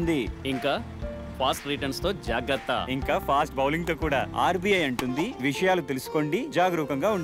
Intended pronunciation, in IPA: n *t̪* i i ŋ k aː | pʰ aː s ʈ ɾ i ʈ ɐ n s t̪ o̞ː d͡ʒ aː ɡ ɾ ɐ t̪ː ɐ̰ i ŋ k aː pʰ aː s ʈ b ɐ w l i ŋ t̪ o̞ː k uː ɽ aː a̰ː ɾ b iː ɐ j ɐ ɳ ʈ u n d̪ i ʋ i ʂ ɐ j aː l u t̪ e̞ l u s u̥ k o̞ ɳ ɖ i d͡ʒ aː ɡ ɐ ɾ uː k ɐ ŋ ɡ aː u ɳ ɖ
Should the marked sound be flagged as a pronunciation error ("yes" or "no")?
yes